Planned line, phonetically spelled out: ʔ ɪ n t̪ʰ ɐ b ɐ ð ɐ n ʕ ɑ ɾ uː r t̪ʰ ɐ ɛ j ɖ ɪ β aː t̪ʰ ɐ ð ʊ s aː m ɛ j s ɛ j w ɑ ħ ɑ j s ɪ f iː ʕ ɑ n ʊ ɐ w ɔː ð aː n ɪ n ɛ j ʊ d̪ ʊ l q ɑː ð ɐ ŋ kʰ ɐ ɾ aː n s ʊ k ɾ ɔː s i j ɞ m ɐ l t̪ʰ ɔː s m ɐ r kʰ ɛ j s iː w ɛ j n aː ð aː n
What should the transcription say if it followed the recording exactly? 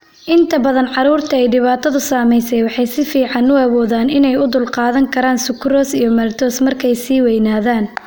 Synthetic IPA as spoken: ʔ ɪ n t̪ʰ ɐ b ɐ ð ɐ n ʕ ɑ ɾ uː r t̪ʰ ɐ ɛ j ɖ ɪ β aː t̪ʰ ɐ ð ʊ s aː m ɛ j s ɛ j w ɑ ħ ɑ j s ɪ f iː ʕ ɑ n ʊ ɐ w ɔː ð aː n ɪ n ɛ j ʊ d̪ ʊ l q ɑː ð ɐ ŋ kʰ ɐ ɾ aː n s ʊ k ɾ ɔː s i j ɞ m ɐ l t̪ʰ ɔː s m ɐ r kʰ ɛ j s iː w ɛ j n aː ð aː n